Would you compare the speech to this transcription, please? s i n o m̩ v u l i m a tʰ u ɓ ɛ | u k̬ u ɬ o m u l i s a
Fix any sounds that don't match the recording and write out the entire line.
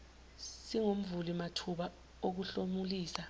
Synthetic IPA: s i ŋ o m̩ v u l i m a tʰ u ɓ a | o k̬ u ɬ o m u l iː s a